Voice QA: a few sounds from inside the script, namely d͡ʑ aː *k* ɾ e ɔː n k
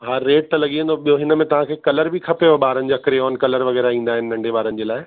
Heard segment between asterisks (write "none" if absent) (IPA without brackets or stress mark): k